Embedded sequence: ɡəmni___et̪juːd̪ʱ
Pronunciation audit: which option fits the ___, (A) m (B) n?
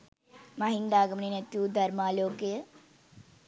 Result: B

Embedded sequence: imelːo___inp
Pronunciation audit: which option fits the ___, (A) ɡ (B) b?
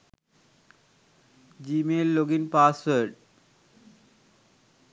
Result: A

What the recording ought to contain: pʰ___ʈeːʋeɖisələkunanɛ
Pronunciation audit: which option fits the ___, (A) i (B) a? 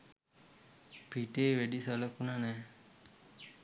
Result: A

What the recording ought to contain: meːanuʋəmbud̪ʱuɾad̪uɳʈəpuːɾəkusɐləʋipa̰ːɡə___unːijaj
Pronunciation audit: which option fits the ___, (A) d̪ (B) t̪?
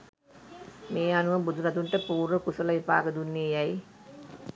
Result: A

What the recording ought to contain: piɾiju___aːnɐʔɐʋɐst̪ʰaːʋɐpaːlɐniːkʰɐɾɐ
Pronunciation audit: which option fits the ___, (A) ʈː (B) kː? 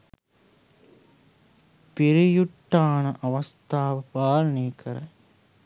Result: A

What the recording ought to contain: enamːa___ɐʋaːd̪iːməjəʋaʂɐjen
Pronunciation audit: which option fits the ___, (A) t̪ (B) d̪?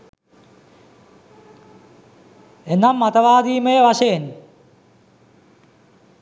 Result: A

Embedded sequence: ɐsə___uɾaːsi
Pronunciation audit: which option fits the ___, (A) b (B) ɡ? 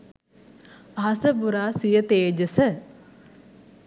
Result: A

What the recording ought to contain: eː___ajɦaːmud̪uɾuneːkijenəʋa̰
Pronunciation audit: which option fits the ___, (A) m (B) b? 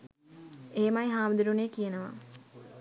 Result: A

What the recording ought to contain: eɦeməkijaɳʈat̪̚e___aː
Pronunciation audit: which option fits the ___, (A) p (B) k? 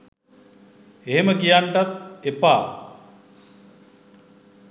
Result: A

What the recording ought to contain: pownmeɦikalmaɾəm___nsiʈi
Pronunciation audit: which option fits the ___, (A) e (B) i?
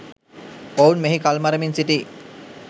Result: B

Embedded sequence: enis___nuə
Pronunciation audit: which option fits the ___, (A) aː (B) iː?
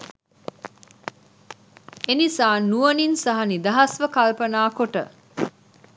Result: A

